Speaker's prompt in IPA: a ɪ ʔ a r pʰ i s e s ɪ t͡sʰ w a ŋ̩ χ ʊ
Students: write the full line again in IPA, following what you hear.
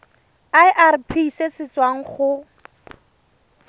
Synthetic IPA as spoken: a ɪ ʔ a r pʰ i s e s ɪ t͡s w a ŋ̩ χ ʊ